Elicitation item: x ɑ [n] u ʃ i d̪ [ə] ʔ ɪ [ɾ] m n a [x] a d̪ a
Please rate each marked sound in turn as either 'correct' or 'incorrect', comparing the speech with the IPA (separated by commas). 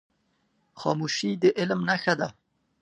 incorrect, correct, incorrect, correct